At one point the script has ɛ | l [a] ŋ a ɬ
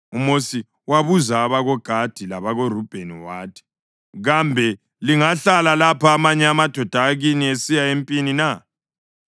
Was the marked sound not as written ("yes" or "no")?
yes